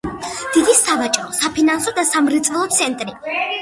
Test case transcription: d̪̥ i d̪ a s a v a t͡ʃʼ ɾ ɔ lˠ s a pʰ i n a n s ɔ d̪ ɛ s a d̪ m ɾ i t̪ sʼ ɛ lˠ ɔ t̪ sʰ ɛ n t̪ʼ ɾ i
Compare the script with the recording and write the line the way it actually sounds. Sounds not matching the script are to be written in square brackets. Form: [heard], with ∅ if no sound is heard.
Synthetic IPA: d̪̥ i d̪ [i] s a v a t͡ʃʼ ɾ ɔ [∅] s a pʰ i n a n s ɔ d̪ [a] s a [∅] m ɾ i t̪ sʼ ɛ lˠ ɔ t̪ sʰ ɛ n t̪ʼ ɾ i